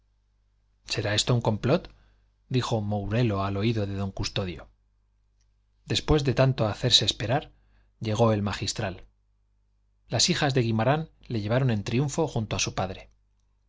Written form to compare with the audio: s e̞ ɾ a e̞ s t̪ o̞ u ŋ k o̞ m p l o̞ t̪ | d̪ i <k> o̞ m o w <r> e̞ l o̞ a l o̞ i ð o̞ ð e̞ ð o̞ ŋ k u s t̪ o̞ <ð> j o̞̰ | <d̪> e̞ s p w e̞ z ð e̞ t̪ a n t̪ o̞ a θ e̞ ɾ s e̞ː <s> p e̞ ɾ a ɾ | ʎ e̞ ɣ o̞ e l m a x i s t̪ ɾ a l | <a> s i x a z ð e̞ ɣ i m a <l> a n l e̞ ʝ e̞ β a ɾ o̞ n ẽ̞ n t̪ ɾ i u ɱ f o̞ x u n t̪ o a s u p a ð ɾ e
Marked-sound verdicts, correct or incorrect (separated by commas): incorrect, incorrect, correct, correct, correct, correct, incorrect